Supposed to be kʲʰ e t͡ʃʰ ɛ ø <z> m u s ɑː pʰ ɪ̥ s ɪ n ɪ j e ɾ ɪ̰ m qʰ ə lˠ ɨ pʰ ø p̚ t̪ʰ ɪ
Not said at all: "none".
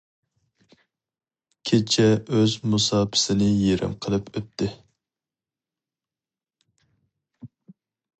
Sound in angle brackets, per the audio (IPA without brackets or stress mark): z